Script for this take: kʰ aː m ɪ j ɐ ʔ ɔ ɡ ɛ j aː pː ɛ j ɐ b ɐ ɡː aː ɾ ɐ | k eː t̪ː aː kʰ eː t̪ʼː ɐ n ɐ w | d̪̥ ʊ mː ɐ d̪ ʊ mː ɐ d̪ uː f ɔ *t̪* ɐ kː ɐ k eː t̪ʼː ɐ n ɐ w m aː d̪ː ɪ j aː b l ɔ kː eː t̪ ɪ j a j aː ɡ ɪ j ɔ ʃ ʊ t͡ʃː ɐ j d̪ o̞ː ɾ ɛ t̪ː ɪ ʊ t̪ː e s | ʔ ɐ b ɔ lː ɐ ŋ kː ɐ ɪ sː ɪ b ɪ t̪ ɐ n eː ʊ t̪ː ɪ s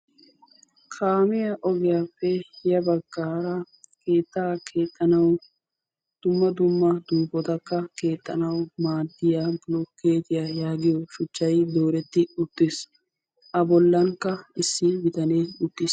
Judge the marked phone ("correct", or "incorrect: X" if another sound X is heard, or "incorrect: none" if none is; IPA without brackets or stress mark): correct